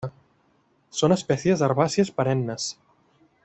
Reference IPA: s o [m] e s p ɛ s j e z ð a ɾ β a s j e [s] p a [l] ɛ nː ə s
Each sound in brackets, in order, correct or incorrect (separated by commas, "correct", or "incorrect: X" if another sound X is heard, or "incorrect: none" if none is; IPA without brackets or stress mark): incorrect: n, correct, incorrect: ɾ